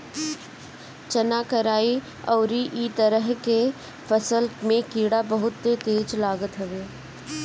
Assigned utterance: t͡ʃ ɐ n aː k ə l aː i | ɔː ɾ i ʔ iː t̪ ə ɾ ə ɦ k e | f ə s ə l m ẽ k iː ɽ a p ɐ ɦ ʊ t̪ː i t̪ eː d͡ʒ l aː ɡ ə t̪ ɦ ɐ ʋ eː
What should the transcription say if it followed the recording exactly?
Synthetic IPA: t͡ʃ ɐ n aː k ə ɾ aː i | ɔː ɾ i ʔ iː t̪ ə ɾ ə ɦ k e | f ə s ə l m ẽ k iː ɽ a b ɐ ɦ ʊ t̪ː e t̪ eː d͡ʒ l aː ɡ ə t̪ ɦ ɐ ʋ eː